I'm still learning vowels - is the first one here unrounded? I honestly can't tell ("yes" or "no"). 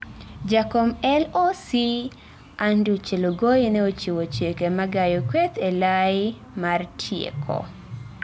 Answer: yes